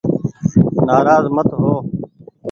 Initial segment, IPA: n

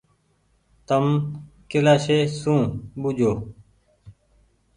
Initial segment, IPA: t̪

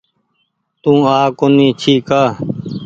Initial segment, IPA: t̪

